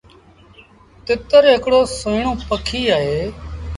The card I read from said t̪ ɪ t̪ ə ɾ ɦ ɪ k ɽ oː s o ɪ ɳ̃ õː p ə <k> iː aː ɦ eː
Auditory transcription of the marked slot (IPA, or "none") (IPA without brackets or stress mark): kʰ